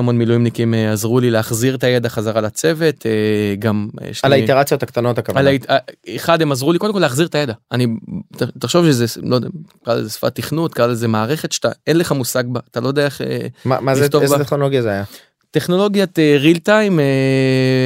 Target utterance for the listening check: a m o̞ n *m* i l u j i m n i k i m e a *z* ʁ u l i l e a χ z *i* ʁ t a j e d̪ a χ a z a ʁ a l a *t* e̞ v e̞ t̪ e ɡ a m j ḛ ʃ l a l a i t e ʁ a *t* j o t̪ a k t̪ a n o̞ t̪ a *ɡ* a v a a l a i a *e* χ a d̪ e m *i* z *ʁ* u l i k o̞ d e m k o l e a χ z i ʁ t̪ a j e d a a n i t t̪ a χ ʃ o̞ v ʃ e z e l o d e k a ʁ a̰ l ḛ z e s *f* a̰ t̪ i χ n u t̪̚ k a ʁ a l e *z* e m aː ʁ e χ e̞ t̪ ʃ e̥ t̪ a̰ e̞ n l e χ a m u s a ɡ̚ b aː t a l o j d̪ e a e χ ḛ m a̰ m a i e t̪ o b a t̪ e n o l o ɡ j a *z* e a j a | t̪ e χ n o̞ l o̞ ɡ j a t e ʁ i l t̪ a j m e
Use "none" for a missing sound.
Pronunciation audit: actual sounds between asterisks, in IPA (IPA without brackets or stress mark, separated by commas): m, z, i, t͡s, t͡s, k, e, a, ʁ, f, z, z